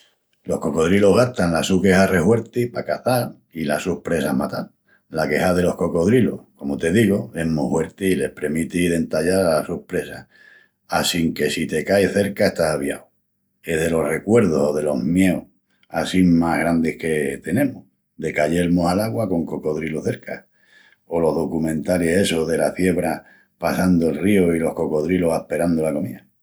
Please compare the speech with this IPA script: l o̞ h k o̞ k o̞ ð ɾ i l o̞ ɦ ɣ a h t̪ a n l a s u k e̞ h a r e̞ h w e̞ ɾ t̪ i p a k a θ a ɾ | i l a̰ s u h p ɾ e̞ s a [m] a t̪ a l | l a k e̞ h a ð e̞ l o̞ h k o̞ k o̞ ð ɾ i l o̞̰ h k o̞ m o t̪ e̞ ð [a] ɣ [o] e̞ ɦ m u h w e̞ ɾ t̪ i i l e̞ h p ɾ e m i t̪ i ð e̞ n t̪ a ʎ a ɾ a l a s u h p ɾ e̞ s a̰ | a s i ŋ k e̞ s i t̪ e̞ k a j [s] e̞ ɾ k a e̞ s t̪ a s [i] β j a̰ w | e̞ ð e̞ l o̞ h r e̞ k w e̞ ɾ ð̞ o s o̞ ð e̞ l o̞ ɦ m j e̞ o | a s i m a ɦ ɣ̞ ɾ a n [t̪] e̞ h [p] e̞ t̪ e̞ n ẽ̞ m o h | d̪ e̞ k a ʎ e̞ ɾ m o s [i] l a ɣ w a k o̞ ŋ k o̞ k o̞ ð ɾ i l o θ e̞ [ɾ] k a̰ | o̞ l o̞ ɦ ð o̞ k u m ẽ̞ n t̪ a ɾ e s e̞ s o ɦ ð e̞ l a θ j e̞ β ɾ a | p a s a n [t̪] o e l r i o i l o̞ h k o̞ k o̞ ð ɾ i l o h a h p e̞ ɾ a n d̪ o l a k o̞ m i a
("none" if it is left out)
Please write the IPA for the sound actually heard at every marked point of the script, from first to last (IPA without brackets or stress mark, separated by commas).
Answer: m, i, o, θ, a, d̪, k, a, ɾ, d̪